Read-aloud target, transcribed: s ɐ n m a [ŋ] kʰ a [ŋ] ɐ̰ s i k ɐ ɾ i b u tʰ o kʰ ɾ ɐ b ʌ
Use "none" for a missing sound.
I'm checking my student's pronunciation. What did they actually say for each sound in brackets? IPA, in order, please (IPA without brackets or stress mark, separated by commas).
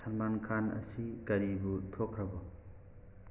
n, n